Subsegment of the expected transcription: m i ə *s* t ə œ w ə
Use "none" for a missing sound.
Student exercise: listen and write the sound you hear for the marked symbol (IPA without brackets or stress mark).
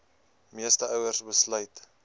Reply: s